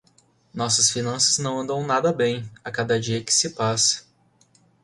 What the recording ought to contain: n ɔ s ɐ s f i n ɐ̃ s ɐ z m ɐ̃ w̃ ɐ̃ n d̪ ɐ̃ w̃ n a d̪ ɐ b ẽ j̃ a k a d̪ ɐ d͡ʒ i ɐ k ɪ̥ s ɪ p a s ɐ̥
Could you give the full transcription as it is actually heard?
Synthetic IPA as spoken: n ɔ s ɐ s f i n ɐ̃ s ɐ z n ɐ̃ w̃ ɐ̃ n d̪ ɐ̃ w̃ n a d̪ ɐ b ẽ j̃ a k a d̪ ɐ d͡ʒ i ɐ k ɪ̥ s ɪ p a s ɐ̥